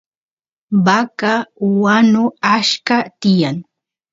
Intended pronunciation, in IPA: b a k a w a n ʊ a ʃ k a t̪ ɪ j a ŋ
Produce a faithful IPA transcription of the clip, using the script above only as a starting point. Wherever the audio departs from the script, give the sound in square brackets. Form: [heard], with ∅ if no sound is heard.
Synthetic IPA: b a k a w a n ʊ a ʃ k a t̪ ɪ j a ŋ